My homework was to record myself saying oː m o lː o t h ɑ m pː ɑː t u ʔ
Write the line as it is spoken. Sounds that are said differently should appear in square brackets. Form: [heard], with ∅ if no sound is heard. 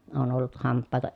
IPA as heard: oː [n] o lː [u] t h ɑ m pː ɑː t [o] ʔ